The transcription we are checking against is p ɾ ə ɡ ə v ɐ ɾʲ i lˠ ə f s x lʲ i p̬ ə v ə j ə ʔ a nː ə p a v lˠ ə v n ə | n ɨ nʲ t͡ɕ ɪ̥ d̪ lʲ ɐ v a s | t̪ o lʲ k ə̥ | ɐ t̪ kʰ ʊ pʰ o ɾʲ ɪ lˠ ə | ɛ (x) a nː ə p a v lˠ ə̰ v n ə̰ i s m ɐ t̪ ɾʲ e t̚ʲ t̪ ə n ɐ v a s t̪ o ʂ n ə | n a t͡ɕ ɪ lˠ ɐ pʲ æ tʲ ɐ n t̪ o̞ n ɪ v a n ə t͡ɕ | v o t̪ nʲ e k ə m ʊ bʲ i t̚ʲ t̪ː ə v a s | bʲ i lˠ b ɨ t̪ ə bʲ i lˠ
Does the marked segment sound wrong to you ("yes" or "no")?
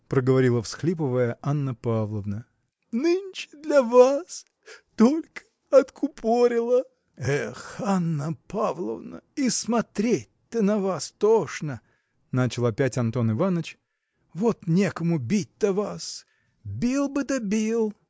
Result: no